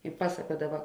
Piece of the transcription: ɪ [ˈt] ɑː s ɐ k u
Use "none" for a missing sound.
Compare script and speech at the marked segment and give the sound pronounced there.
p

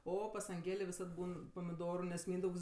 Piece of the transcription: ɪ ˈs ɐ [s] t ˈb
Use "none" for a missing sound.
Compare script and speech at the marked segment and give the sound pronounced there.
none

